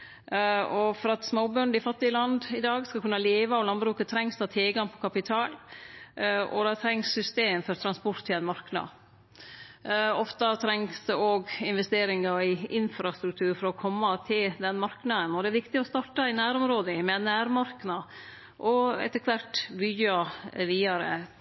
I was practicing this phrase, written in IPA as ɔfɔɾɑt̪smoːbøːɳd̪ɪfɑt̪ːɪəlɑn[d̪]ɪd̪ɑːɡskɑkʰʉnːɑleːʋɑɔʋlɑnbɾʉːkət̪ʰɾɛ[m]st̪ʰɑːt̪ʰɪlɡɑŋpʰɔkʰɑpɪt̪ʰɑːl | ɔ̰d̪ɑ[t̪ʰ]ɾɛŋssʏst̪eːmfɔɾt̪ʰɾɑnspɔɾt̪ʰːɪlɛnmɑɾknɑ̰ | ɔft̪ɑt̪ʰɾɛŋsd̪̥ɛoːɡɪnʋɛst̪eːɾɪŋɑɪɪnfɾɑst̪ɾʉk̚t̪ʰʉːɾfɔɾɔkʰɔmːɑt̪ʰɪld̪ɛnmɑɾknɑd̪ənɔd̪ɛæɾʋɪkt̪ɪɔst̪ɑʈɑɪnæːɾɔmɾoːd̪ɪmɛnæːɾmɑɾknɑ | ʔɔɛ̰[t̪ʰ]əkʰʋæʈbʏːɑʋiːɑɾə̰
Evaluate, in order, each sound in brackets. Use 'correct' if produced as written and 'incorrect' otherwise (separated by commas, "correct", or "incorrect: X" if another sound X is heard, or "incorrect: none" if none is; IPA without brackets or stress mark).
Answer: correct, incorrect: ŋ, correct, incorrect: t̪